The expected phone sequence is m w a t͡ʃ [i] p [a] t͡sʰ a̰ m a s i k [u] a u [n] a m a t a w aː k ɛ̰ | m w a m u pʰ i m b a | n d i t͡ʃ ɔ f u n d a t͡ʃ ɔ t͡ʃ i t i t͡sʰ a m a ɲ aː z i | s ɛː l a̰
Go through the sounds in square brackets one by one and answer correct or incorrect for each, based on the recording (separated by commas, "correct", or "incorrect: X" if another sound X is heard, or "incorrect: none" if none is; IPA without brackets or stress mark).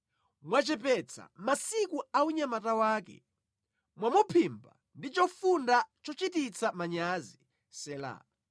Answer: incorrect: ɛ, incorrect: ɛ, correct, incorrect: ɲ